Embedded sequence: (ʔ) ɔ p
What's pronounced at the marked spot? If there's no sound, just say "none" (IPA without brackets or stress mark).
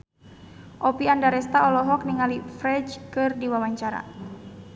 ʔ